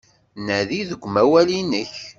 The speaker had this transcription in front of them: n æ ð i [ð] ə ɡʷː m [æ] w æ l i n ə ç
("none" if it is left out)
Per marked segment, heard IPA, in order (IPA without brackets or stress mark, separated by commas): ð, æ